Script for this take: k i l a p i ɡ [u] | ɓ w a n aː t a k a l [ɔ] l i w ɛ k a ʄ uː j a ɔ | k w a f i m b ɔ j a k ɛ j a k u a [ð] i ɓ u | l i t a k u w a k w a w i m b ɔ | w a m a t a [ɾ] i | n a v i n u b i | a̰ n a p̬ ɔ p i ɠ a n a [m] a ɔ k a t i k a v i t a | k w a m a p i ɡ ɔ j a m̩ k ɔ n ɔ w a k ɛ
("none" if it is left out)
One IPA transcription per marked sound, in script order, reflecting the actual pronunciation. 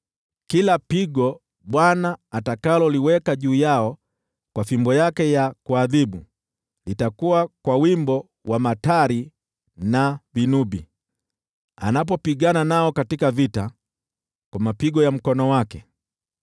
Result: ɔ, ɔ, ð, ɾ, n

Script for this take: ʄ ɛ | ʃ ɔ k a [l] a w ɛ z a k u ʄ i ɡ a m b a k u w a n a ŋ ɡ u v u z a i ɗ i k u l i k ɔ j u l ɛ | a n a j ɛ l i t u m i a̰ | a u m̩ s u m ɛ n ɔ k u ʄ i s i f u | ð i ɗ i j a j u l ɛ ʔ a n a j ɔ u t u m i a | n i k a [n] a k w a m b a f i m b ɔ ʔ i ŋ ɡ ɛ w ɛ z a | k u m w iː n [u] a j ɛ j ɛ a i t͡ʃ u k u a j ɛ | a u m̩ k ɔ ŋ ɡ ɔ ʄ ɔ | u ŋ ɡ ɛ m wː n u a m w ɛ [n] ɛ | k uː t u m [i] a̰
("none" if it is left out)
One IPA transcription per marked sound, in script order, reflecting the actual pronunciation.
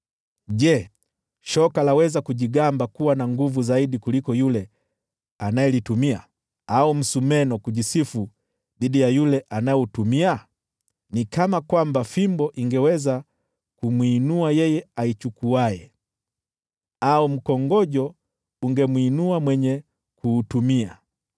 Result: l, m, u, ɲ, i

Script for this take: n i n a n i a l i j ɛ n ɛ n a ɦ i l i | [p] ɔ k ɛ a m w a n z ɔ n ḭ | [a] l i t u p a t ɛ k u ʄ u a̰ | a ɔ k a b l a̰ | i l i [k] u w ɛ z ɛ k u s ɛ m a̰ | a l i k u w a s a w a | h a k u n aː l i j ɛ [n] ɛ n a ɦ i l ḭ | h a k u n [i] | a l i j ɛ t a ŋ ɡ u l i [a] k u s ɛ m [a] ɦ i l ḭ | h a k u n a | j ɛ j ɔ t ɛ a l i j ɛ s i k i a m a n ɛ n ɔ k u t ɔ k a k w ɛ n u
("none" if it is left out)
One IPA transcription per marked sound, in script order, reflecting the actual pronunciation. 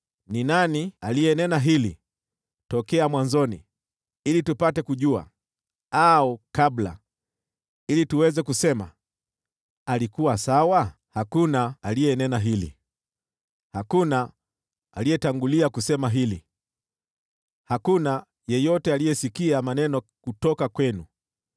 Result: t, i, t, n, a, a, a

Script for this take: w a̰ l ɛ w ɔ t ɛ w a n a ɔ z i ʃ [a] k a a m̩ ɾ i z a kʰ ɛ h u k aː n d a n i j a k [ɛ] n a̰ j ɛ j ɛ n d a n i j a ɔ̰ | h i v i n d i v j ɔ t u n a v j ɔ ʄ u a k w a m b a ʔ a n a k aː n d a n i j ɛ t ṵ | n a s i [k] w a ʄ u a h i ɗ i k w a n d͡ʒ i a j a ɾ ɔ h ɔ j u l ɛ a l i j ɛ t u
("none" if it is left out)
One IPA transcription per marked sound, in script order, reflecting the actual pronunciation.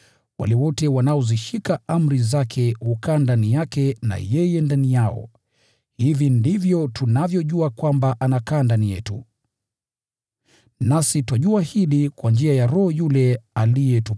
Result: i, ɛ, t

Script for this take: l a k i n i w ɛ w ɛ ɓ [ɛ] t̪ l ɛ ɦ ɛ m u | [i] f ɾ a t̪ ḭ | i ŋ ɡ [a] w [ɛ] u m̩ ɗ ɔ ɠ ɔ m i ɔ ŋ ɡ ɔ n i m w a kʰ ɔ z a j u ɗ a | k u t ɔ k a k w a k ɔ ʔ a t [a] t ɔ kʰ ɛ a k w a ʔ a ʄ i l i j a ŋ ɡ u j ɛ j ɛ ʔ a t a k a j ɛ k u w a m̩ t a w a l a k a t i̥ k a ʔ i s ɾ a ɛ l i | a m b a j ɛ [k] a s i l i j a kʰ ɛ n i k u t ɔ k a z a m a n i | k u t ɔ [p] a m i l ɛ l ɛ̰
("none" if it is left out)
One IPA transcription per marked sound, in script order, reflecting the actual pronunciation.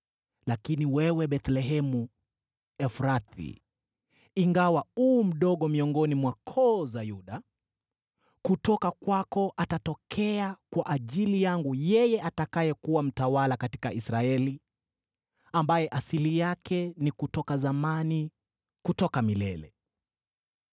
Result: ɛ, ɛ, a, a, a, ʔ, k

